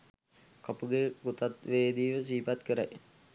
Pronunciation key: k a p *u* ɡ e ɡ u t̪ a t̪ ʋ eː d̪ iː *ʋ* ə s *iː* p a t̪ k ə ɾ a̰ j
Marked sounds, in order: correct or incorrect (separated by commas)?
correct, correct, correct